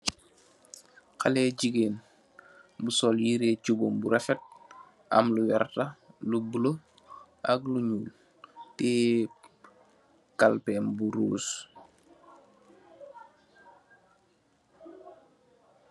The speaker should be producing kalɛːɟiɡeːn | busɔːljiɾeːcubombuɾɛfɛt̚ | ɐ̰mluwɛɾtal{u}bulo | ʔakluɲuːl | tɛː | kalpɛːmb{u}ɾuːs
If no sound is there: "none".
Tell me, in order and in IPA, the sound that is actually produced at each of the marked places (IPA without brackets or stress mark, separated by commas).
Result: u, u